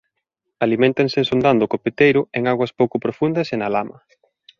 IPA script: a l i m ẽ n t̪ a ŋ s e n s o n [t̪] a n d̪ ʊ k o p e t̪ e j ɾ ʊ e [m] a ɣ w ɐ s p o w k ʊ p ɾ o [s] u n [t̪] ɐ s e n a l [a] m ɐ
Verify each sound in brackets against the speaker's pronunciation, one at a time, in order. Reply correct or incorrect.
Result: incorrect: d̪, incorrect: ŋ, incorrect: f, incorrect: d̪, correct

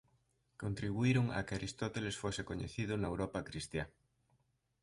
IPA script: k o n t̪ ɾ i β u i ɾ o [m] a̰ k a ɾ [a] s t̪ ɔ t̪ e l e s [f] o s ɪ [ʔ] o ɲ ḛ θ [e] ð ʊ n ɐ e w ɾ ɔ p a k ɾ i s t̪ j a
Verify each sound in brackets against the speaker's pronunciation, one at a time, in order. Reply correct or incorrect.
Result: incorrect: ŋ, incorrect: i, correct, incorrect: k, incorrect: i

